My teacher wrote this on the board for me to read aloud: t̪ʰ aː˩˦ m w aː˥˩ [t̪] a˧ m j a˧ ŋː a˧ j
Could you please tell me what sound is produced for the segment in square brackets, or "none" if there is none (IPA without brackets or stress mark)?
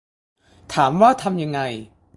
t̪ʰ